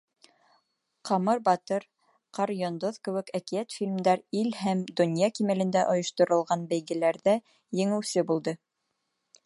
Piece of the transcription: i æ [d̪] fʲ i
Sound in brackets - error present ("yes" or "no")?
yes